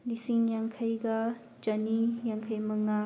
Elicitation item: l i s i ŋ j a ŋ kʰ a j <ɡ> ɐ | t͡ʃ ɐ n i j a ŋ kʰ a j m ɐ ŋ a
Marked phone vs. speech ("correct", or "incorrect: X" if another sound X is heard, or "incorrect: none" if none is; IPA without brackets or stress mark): correct